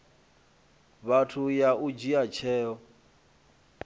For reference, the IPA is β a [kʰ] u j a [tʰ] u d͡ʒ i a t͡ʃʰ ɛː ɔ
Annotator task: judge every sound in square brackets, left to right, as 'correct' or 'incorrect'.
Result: incorrect: tʰ, incorrect: none

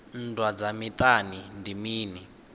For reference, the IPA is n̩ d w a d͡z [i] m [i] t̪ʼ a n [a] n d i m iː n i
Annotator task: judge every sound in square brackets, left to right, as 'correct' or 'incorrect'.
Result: incorrect: a, correct, incorrect: i

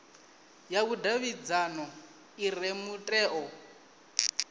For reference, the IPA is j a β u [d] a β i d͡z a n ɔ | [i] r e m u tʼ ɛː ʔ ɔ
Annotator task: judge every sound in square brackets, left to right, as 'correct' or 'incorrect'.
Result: correct, correct

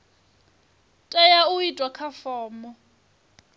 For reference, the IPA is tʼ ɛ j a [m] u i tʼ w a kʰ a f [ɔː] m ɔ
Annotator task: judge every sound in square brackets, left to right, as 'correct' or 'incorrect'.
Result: incorrect: none, correct

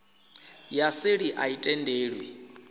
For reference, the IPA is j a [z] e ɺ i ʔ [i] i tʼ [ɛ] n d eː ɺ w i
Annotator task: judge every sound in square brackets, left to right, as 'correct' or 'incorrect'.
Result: incorrect: s, incorrect: a, correct

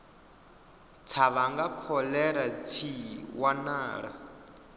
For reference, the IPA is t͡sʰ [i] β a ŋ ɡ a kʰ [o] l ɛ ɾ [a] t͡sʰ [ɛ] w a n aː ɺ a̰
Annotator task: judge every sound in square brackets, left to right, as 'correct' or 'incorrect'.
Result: incorrect: a, incorrect: ɔ, correct, incorrect: i

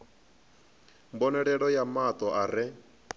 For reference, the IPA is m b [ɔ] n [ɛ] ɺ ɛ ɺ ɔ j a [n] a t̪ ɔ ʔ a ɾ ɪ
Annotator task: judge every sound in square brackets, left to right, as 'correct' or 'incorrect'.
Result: correct, correct, incorrect: m

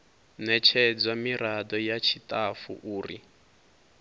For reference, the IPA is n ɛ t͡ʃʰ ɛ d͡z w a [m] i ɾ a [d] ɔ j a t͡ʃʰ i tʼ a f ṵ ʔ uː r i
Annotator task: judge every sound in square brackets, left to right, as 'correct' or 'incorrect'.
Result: correct, correct

